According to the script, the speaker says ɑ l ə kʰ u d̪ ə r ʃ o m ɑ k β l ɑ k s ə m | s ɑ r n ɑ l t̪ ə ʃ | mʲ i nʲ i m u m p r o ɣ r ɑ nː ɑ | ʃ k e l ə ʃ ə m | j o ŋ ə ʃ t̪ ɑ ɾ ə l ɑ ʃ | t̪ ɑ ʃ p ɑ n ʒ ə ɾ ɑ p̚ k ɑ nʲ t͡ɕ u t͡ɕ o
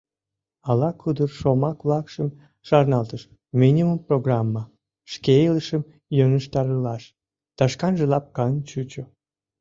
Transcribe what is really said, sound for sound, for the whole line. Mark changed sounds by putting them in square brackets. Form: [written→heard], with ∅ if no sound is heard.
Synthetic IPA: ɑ l [ə→ɑ] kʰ u d̪ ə r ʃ o m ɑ k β l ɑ k [s→ʃ] ə m | [s→ʃ] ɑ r n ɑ l t̪ ə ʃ | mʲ i nʲ i m u m p r o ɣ r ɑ [nː→mː] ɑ | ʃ k e l ə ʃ ə m | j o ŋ ə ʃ t̪ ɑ ɾ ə l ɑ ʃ | t̪ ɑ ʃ [p→k] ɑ n ʒ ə [ɾ→l] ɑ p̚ k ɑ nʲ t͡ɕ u t͡ɕ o